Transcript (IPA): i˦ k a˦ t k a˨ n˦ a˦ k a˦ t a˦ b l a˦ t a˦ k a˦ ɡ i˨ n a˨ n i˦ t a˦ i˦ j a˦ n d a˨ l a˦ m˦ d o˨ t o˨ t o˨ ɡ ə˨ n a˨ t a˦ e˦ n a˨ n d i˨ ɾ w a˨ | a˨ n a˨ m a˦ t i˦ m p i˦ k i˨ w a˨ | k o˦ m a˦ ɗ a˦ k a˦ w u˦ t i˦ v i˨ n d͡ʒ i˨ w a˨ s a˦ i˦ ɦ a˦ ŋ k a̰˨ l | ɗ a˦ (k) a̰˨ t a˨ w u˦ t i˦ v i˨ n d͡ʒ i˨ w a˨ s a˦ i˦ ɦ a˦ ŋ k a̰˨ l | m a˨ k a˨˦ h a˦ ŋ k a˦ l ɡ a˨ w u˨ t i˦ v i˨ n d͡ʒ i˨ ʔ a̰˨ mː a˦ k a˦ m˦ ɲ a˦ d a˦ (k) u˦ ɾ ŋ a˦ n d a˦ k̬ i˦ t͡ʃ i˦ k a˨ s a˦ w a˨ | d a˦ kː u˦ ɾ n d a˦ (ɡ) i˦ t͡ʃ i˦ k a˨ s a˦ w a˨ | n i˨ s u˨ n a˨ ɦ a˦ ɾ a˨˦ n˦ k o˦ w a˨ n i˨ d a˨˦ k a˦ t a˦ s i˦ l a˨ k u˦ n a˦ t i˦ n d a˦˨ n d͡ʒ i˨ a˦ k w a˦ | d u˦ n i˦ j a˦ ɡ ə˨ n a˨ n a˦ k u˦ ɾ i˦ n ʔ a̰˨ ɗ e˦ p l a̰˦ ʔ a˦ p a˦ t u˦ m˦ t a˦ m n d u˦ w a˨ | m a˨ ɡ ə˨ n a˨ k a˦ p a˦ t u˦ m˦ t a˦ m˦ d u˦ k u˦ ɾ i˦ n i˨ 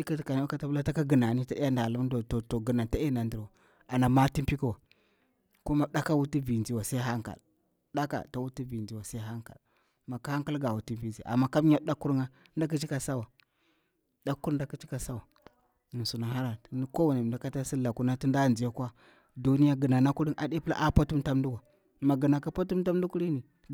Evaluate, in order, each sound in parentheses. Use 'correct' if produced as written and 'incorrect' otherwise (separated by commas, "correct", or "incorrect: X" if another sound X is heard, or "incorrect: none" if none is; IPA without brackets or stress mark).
correct, correct, incorrect: k